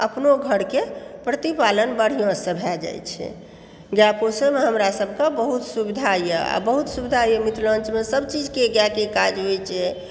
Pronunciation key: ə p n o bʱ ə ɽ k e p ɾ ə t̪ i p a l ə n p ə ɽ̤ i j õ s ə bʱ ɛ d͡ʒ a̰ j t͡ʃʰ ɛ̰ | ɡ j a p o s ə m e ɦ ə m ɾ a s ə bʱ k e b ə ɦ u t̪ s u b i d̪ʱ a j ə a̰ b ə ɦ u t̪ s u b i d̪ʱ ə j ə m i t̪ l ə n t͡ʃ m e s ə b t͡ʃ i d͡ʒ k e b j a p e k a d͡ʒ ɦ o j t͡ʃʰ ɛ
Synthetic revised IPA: ə p n o ɡʱ ə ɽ k e p ɾ ə t̪ i p a l ə n b ə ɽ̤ i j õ s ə bʱ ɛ d͡ʒ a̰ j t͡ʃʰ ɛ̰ | ɡ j a p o s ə m e ɦ ə m ɾ a s ə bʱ k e b ə ɦ u t̪ s u b i d̪ʱ a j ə a̰ b ə ɦ u t̪ s u b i d̪ʱ a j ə m i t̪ l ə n t͡ʃ m e s ə b t͡ʃ i d͡ʒ k e ɡ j a k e k a d͡ʒ ɦ o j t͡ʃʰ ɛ